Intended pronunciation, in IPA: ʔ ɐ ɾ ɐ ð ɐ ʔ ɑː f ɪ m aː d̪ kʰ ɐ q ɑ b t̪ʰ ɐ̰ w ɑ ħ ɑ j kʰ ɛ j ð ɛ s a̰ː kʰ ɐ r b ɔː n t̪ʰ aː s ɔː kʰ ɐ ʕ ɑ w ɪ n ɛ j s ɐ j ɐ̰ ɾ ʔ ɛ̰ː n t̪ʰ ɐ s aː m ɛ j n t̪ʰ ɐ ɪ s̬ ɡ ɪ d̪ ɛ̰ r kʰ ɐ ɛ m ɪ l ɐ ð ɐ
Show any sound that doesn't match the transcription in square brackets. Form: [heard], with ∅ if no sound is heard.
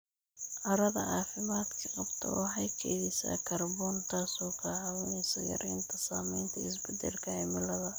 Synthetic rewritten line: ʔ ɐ ɾ ɐ ð ɐ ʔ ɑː f ɪ m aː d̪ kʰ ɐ q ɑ b t̪ʰ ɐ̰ w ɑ ħ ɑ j kʰ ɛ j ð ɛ s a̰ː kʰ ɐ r b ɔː n t̪ʰ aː s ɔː kʰ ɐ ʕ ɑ w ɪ n ɛ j s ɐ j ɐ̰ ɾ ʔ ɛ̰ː n t̪ʰ ɐ s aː m ɛ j n t̪ʰ ɐ ɪ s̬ [b] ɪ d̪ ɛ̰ [l] kʰ ɐ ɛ m ɪ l ɐ ð ɐ